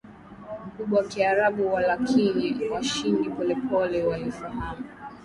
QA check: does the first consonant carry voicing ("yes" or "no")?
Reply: yes